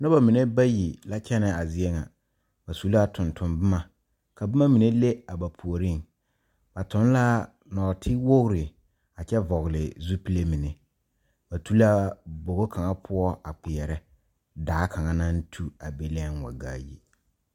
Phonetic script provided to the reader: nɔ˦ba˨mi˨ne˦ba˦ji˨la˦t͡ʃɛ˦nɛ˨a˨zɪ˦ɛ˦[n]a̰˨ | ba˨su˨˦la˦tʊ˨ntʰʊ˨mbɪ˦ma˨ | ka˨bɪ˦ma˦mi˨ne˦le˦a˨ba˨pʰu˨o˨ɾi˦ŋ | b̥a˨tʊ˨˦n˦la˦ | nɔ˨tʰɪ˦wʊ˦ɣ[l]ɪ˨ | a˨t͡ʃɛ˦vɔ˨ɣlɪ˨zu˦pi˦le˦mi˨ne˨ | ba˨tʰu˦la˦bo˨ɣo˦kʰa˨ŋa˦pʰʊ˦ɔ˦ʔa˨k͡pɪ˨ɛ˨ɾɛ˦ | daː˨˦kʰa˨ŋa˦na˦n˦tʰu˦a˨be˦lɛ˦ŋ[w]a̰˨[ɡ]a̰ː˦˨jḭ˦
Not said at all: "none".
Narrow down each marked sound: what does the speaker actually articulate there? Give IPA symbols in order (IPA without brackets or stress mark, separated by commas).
ŋ, ɾ, w, ɡ